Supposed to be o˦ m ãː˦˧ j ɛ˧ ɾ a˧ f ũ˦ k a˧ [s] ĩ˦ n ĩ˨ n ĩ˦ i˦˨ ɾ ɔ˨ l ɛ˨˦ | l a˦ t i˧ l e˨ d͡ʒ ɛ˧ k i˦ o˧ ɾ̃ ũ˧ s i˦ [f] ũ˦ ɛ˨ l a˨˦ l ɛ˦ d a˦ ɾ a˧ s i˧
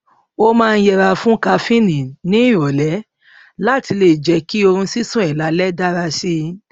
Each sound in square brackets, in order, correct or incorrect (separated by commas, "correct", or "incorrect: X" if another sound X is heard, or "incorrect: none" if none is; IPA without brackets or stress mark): incorrect: f, incorrect: s